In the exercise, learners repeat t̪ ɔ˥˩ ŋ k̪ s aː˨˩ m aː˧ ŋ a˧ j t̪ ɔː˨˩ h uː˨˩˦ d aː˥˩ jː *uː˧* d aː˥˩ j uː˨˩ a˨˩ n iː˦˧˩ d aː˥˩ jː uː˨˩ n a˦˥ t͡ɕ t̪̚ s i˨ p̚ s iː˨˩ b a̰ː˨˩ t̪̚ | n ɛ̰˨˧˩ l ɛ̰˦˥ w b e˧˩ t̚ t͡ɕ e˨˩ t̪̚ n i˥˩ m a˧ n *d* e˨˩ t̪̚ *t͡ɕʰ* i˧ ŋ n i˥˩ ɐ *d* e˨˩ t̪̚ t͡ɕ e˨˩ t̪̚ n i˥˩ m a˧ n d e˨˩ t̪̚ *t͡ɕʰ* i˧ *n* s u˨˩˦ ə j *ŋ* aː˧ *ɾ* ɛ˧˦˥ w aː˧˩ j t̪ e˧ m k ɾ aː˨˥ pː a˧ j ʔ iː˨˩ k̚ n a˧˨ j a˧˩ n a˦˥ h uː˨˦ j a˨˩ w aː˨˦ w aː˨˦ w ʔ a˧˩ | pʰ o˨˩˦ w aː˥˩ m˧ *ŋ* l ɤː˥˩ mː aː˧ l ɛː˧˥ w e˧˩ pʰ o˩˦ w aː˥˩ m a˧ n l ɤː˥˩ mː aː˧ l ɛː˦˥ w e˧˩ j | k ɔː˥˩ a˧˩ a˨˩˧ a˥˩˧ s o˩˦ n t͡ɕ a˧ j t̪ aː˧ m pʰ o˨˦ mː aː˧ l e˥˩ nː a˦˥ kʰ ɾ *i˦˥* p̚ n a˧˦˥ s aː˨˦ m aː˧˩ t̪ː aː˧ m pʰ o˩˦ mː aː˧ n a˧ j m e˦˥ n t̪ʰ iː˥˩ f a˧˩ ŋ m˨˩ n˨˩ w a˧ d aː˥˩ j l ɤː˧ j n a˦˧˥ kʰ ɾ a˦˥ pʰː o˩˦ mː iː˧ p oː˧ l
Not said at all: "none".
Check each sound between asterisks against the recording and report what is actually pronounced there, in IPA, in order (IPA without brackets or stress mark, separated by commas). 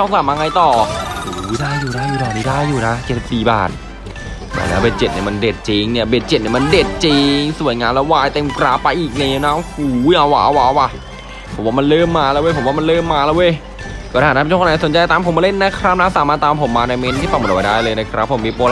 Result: uː˨˩, d, t͡ɕ, b, t͡ɕ, ŋ, ŋ, l, n, a˦˥